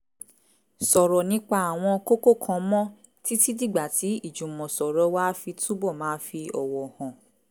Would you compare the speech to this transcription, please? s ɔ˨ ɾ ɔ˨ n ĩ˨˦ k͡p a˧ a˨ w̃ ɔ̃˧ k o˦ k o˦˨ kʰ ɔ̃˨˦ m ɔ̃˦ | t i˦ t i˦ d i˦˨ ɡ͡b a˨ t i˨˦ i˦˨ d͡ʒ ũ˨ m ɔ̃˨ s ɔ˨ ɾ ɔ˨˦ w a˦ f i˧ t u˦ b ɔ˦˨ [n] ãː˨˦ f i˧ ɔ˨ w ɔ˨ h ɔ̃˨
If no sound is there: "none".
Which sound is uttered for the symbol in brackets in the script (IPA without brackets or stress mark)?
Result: m